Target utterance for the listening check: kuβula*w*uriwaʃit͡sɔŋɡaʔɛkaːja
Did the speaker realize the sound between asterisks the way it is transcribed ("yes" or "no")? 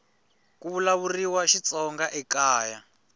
no